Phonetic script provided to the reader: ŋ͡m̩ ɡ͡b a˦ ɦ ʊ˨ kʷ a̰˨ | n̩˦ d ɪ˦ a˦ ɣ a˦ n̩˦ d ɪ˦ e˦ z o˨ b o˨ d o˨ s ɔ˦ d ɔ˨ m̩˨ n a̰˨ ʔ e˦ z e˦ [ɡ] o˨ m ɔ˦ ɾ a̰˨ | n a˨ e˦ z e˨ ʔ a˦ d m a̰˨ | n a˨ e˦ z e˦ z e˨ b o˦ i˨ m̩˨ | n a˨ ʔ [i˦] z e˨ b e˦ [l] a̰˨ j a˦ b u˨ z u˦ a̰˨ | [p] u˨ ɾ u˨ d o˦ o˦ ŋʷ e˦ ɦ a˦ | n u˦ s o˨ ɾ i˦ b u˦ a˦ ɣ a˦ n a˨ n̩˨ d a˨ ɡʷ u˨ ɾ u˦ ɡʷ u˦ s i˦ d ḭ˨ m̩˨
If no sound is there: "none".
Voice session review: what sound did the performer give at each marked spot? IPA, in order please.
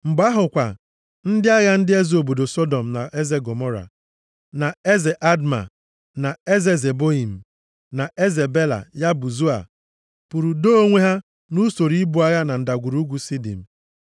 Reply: ɡ, e˦, l, p

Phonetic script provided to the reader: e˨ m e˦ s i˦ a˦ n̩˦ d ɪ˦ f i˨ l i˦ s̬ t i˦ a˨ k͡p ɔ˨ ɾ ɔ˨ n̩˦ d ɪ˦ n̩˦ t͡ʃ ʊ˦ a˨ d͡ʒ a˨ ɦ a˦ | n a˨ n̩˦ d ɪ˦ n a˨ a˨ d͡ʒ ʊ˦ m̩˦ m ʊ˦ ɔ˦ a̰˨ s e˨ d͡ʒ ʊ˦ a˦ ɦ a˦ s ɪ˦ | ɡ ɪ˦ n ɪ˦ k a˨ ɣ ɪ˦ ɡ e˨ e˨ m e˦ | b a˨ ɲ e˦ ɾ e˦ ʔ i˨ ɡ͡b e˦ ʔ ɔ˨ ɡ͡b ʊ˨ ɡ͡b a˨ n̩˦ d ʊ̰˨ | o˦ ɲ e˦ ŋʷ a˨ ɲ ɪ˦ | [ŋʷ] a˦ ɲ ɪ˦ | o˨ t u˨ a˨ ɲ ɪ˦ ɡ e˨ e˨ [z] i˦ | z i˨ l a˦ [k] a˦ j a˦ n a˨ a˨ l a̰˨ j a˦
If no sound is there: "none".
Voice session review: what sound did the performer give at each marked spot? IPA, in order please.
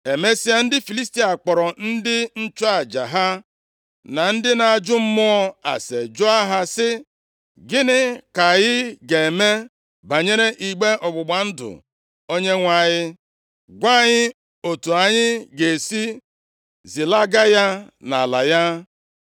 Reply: ɡʷ, s, ɡ

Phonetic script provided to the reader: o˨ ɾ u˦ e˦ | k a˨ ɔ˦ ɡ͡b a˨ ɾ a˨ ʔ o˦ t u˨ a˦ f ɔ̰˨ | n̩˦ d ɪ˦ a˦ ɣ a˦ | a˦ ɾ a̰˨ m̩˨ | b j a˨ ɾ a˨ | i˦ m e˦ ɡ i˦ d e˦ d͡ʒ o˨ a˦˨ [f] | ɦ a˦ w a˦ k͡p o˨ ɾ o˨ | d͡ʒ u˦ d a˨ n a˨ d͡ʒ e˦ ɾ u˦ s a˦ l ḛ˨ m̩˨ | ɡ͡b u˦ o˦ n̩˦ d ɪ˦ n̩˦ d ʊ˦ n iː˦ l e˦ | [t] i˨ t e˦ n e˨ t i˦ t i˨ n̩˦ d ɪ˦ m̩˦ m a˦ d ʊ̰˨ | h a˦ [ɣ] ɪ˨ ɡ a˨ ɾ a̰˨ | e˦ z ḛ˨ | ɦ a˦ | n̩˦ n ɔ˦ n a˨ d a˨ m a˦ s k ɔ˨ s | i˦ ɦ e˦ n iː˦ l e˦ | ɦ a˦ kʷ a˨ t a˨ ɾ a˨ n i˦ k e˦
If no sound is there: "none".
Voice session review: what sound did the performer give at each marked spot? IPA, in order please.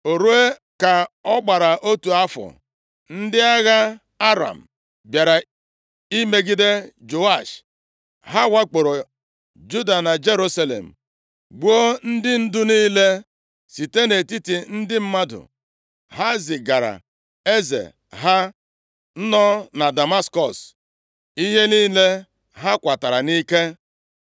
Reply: ʃ, s, z

